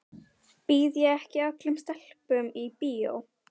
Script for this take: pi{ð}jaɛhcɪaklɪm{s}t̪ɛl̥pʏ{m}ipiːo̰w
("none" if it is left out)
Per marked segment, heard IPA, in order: ð, s, m

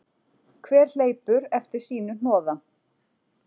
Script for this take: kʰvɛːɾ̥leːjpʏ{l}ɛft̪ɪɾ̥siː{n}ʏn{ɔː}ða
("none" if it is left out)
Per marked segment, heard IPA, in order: ɾ, n, ɔː

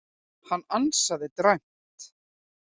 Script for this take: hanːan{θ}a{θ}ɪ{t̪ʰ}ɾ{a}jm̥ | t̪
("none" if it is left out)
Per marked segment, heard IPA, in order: s, ð, t̪, a

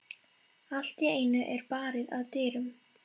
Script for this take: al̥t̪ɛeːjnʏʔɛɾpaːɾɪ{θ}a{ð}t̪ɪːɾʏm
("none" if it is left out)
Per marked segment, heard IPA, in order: ð, ð

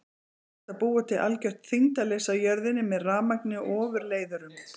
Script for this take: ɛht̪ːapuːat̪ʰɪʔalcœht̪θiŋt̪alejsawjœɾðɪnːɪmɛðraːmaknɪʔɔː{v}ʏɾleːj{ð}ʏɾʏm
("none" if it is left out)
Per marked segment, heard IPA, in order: v, ð

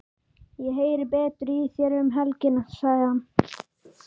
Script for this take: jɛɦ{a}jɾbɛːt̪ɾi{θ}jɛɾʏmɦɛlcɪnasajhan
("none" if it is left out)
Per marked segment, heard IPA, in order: e, θ

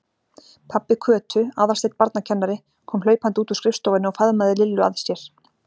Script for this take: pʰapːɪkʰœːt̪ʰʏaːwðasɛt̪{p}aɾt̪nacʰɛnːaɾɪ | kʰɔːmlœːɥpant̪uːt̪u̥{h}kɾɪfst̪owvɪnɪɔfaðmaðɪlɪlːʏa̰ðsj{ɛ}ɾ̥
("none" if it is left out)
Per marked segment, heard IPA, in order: p, s, ɛ

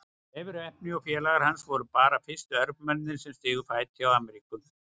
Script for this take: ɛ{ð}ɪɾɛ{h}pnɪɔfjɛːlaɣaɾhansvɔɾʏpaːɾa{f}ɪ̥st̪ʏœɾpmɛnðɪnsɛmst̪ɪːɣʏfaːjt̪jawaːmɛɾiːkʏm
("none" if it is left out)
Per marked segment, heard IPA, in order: v, h, f

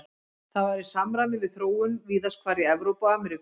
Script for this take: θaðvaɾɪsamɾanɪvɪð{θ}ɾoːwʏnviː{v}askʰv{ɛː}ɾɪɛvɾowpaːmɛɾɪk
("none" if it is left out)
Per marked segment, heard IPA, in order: θ, ð, aː

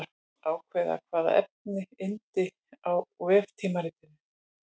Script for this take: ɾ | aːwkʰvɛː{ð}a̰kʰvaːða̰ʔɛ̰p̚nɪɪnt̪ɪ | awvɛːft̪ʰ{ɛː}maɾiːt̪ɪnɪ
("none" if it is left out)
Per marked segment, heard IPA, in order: ð, iː

